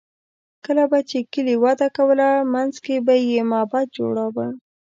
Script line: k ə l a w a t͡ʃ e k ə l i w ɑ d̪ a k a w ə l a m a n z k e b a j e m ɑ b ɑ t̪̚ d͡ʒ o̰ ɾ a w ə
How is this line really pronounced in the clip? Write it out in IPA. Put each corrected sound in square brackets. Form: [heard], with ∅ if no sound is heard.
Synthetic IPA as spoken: k ə l a [b] a t͡ʃ e k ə l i w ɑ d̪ a k a w ə l a m a n z k e b a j e m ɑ b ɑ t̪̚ d͡ʒ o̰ [ɽ] a w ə